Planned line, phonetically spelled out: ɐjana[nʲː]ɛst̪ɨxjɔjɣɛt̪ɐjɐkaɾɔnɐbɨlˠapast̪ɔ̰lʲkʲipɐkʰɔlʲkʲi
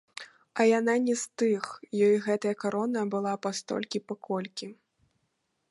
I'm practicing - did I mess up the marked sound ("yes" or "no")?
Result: yes